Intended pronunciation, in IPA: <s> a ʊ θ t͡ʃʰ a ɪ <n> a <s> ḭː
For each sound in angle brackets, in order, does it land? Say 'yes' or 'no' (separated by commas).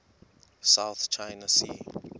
yes, yes, yes